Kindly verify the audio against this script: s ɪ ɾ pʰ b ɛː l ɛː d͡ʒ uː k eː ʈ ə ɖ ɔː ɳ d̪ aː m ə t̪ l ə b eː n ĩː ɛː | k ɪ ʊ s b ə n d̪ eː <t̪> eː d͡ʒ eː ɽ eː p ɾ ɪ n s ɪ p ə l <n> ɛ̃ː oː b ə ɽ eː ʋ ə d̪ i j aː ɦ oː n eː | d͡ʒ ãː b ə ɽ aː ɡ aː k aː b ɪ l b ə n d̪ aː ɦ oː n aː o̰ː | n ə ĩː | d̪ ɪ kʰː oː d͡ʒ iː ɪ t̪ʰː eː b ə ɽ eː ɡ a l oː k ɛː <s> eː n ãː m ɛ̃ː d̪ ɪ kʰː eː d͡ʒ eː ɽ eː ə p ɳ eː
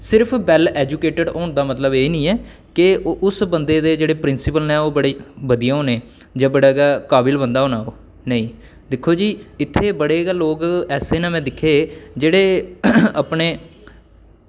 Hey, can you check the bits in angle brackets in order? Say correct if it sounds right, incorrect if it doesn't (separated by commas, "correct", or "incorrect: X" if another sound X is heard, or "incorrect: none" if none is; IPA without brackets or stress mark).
incorrect: d̪, correct, correct